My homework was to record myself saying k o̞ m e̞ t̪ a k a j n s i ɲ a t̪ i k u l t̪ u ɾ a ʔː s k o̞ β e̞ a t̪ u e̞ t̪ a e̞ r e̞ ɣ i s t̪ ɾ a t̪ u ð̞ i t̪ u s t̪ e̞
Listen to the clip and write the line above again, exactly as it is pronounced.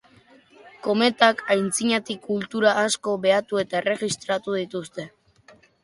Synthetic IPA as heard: k o̞ m e̞ t̪ a k a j n t͡s i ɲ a t̪ i k u l t̪ u ɾ a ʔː s k o̞ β e̞ a t̪ u e̞ t̪ a e̞ r e̞ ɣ i s t̪ ɾ a t̪ u ð̞ i t̪ u s t̪ e̞